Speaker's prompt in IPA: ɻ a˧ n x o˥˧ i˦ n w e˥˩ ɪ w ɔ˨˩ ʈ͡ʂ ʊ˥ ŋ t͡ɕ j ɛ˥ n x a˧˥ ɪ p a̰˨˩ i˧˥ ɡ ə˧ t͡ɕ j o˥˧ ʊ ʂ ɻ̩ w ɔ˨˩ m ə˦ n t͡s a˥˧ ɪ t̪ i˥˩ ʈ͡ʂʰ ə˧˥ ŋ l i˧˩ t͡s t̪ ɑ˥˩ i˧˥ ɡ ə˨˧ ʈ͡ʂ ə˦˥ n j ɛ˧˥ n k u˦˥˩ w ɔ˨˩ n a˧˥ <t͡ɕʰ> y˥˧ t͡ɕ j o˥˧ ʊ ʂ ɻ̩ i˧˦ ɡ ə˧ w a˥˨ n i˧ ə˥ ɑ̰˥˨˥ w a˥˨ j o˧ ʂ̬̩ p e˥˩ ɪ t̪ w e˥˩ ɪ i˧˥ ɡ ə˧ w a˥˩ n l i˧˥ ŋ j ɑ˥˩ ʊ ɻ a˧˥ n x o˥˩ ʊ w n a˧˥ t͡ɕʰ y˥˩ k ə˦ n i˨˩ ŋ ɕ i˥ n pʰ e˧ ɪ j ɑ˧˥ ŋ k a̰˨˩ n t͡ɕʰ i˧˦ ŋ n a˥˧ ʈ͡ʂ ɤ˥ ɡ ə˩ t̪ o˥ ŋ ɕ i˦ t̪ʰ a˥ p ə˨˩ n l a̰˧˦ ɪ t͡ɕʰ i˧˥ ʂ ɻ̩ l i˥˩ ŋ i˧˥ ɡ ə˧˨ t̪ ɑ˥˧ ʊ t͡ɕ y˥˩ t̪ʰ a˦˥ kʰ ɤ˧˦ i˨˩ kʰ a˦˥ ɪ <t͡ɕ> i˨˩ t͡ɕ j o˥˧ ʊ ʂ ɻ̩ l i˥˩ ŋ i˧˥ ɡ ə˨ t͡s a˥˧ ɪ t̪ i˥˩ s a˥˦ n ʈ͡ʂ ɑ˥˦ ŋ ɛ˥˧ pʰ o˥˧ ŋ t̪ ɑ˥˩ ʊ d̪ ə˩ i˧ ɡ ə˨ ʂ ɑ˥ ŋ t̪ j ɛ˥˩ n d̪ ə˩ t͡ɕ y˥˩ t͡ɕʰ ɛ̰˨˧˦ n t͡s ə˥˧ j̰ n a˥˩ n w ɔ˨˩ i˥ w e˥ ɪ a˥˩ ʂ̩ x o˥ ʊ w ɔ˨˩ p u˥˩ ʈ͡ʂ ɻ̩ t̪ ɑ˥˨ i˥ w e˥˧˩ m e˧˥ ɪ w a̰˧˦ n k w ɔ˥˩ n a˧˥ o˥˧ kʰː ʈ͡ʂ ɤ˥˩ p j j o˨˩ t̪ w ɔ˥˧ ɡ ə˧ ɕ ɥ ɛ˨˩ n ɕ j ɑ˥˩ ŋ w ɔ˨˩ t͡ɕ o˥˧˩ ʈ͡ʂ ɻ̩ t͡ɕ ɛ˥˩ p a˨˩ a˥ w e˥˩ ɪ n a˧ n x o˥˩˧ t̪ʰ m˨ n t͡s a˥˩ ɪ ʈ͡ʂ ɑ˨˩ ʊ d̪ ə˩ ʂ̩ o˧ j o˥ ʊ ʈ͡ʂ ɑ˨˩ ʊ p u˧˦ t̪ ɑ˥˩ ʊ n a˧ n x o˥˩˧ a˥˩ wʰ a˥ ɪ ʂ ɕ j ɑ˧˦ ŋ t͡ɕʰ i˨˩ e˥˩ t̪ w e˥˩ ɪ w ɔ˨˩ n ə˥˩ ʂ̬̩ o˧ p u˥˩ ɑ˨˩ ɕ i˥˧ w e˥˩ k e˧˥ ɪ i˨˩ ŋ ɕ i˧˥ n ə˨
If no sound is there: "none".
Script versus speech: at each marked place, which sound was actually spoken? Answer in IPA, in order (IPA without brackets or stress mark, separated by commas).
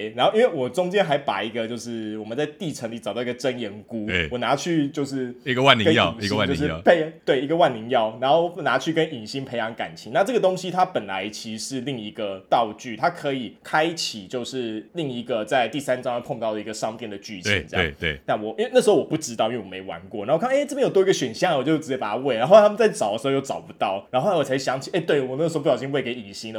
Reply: t͡ɕʰ, t͡ɕʰ